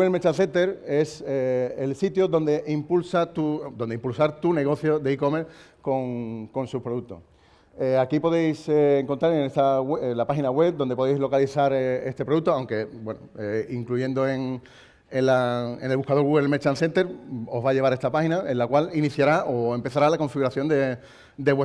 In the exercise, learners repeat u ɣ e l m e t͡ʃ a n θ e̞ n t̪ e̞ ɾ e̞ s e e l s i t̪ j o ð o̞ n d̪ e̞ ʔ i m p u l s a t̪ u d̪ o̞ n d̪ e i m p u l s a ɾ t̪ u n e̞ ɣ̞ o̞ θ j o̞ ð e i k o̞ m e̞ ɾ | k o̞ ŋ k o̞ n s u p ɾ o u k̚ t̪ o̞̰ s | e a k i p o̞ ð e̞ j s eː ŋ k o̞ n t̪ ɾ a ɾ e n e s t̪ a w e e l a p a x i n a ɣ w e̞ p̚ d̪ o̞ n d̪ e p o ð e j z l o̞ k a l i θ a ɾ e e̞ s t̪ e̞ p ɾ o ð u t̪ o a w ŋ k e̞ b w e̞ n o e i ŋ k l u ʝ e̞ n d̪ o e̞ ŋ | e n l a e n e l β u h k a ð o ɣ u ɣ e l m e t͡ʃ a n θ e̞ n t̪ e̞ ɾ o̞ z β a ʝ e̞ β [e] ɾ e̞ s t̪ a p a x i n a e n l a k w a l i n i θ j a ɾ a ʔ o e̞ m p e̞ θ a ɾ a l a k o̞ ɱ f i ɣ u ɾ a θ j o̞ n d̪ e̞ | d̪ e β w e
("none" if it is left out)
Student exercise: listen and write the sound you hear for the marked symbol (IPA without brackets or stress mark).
a